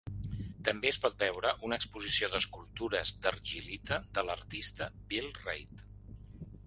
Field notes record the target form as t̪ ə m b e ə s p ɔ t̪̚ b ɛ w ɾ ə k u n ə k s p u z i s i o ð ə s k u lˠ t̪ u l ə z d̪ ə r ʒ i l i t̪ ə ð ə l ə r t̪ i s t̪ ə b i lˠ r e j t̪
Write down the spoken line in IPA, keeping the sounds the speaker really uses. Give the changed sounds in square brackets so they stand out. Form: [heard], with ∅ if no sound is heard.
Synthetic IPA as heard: t̪ ə m b e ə s p ɔ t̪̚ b ɛ w ɾ ə [ʔ] u n ə k s p u z i s i o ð ə s k u lˠ t̪ u [ɾ] ə z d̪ ə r ʒ i l i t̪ ə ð ə l ə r t̪ i s t̪ ə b i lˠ r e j t̪